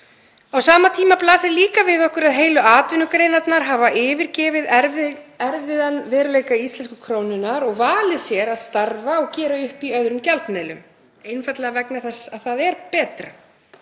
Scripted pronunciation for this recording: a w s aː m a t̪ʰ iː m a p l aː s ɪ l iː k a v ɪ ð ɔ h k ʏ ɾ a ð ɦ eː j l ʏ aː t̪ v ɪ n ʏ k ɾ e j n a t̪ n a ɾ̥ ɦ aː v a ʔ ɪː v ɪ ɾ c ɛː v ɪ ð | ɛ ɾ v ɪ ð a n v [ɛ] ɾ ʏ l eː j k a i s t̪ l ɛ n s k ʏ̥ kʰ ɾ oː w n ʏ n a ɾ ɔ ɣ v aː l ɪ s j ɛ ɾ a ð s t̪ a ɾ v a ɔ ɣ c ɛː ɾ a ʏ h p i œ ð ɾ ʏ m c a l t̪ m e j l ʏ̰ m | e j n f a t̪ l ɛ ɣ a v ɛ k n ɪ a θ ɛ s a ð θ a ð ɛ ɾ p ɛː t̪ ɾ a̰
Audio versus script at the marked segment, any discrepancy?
yes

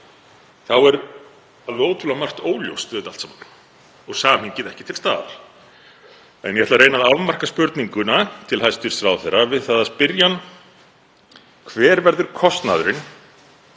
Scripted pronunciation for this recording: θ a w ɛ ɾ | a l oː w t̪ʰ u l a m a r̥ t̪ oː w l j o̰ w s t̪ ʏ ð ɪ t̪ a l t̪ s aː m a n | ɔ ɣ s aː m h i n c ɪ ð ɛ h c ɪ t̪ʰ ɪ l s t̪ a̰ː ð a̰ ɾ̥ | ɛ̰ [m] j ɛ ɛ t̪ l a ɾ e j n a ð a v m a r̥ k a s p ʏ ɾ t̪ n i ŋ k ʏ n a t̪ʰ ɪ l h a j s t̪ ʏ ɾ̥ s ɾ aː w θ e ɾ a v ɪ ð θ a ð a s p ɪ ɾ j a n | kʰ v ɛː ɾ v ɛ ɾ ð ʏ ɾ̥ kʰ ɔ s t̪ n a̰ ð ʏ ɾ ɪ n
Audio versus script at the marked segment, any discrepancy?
yes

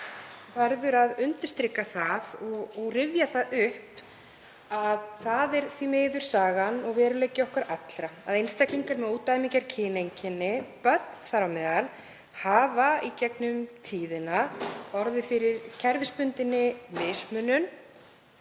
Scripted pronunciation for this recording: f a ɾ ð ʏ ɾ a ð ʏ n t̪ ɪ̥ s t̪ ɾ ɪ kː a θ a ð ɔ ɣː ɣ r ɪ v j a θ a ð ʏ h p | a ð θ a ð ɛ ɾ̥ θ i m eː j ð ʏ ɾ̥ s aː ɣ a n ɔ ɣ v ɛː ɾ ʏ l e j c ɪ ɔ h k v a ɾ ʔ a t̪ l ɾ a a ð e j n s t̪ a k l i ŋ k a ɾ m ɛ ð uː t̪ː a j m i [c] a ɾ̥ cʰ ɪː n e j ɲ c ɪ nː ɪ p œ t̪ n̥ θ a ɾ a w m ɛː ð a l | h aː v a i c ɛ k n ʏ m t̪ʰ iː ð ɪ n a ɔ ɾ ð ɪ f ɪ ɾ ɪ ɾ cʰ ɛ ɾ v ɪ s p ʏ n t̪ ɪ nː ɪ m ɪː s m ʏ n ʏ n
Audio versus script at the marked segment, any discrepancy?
no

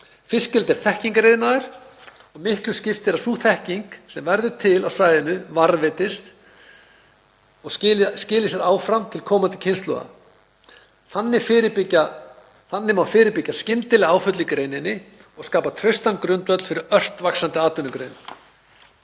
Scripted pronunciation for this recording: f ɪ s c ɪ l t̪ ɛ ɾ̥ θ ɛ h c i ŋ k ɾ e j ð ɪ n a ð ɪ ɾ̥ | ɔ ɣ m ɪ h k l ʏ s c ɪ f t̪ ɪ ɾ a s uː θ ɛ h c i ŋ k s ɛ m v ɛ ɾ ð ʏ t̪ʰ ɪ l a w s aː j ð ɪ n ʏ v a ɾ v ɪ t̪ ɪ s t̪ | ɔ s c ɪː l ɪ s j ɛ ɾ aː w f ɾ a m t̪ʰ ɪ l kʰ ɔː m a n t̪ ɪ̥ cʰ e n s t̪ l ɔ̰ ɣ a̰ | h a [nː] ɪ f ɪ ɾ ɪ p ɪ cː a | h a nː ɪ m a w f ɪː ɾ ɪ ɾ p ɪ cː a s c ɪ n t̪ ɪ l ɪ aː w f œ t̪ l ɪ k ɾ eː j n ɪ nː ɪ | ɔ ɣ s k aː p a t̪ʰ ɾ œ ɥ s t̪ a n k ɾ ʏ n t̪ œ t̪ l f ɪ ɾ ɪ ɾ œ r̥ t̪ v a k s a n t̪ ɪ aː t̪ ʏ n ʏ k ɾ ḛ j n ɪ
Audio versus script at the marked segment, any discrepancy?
no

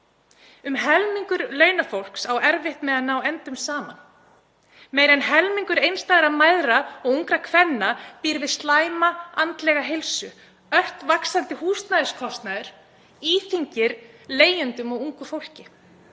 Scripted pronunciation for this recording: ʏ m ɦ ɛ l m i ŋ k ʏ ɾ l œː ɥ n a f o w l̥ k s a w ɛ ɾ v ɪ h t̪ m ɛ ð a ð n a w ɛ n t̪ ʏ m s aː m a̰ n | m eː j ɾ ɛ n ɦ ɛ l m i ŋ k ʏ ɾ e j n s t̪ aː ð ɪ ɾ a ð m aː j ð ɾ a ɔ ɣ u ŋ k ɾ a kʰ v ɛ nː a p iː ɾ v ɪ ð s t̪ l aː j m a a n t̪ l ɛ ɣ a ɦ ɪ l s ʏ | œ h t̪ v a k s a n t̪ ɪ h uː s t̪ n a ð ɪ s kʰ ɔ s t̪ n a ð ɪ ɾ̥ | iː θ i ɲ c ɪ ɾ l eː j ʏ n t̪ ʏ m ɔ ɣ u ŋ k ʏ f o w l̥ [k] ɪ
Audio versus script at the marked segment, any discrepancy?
yes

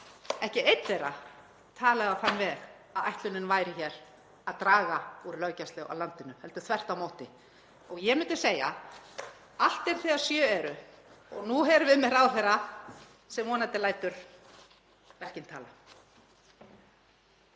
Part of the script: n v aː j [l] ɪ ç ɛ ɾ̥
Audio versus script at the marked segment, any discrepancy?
yes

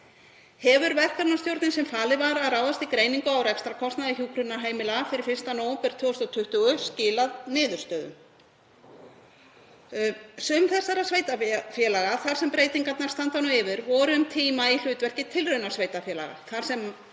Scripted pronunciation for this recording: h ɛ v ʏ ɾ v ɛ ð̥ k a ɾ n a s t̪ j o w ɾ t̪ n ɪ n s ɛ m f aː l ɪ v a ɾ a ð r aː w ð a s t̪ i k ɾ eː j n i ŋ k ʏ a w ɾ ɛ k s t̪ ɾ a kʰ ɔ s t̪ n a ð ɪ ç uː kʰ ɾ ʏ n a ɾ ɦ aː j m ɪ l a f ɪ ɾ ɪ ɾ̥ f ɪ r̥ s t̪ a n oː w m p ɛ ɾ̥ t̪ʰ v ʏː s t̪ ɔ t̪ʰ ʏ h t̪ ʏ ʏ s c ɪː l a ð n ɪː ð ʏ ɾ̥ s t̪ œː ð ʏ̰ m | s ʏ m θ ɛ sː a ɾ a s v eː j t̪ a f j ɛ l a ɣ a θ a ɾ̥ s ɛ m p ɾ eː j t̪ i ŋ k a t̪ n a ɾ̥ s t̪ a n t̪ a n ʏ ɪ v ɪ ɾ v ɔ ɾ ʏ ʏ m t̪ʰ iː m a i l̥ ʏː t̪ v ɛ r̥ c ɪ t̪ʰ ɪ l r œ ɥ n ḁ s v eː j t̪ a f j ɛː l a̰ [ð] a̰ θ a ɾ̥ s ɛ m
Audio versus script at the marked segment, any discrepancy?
yes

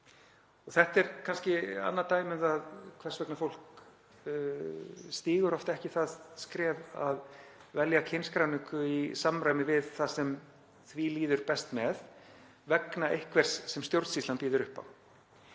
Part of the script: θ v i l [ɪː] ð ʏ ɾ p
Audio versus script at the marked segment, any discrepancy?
yes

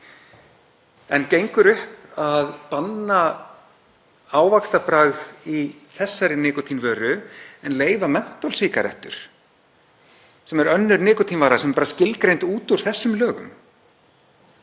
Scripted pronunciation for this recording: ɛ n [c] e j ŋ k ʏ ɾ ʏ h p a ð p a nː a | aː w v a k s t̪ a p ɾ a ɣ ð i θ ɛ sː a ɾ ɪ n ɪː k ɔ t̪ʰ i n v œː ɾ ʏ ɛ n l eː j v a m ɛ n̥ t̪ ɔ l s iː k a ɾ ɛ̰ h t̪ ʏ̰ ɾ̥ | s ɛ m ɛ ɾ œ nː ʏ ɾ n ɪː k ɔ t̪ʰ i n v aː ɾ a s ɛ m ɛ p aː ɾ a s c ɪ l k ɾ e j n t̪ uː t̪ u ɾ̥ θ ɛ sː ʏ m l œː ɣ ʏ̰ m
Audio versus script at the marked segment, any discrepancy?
no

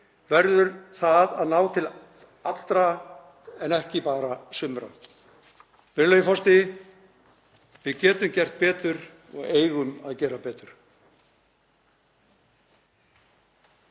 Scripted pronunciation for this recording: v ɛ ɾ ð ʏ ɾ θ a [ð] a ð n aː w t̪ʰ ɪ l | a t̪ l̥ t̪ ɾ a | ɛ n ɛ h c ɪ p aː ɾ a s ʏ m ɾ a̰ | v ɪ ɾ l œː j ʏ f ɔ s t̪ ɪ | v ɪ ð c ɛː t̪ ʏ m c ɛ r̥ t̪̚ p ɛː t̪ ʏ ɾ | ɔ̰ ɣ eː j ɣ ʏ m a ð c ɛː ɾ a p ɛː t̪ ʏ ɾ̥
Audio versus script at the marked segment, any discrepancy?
no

